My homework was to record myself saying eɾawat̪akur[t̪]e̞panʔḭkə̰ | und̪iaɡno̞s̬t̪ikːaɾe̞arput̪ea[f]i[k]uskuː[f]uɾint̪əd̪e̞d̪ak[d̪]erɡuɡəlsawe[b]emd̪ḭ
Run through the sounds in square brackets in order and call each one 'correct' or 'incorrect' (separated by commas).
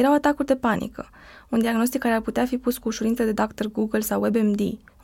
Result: incorrect, correct, incorrect, incorrect, incorrect, correct